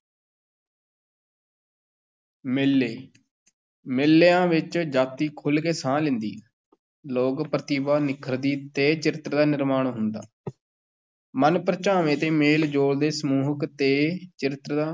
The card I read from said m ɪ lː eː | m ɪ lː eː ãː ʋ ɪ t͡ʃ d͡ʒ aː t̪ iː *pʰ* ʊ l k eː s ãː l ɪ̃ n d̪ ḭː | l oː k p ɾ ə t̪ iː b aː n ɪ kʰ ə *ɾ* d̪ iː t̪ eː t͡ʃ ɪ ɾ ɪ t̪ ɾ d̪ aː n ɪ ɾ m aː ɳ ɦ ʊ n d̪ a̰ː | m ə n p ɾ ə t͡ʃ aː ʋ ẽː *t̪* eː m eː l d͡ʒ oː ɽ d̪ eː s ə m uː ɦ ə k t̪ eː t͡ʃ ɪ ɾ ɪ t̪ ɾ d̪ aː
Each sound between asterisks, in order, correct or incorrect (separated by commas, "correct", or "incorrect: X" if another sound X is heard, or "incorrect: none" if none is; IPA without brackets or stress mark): incorrect: kʰ, correct, correct